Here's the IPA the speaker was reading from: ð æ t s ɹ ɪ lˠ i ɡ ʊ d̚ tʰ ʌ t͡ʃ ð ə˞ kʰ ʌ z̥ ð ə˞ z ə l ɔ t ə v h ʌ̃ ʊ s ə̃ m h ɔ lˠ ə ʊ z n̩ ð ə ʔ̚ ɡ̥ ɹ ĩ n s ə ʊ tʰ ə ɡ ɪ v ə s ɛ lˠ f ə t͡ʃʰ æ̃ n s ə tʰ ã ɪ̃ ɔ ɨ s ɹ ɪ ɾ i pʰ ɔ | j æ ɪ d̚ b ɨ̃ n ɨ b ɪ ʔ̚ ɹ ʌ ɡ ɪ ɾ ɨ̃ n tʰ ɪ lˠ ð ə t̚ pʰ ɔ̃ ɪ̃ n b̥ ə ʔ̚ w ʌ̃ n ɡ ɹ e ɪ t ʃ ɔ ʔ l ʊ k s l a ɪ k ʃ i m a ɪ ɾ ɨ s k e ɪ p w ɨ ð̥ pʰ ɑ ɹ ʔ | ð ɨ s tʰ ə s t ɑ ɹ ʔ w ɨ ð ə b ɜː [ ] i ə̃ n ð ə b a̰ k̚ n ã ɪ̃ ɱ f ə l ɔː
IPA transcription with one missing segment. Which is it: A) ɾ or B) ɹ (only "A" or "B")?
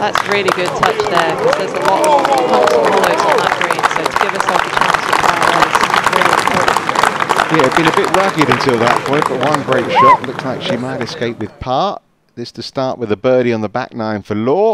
A